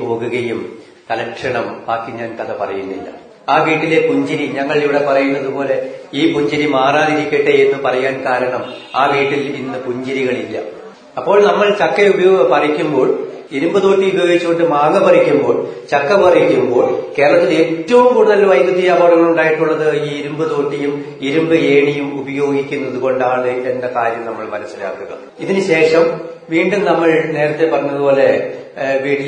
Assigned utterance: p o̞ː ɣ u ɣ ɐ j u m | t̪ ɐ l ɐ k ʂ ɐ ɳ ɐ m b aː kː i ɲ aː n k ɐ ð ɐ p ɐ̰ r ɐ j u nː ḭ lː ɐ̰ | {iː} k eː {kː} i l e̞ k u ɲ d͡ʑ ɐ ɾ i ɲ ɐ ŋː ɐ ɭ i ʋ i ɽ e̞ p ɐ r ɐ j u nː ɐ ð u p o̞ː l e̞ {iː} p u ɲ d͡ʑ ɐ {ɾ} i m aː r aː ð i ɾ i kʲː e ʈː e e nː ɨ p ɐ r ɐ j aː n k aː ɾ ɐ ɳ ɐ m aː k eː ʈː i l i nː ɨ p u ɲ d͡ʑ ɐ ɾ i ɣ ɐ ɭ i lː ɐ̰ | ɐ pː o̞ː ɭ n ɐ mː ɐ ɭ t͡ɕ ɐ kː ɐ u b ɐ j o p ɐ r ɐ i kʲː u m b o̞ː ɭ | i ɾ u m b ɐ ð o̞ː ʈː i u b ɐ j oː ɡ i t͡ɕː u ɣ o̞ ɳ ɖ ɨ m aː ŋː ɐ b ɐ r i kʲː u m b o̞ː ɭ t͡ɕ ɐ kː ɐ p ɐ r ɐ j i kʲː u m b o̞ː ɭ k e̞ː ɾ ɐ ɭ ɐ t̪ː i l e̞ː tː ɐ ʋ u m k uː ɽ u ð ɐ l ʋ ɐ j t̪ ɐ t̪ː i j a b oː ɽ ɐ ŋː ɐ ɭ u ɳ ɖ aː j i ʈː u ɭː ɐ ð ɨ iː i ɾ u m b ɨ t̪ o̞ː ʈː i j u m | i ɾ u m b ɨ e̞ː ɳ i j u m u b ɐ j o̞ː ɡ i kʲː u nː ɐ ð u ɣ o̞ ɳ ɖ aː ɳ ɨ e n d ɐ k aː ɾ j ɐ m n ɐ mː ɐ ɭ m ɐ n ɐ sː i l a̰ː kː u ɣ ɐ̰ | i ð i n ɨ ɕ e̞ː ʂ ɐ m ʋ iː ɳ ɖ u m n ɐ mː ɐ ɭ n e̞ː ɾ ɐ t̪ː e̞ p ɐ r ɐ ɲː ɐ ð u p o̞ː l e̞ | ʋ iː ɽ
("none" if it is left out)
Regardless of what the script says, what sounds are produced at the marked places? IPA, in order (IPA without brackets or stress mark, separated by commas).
aː, ʈː, iː, ɾ